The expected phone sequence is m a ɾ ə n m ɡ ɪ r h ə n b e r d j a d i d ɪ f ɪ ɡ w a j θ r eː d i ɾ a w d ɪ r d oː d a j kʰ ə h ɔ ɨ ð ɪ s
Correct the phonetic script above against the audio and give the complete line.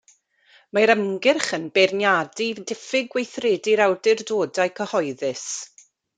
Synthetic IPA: m a ɾ ə m ɡ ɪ r χ ə n b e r n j a d i d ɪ f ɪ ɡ w e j θ r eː d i ɾ a w d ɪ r d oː d a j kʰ ə h ɔ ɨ ð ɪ s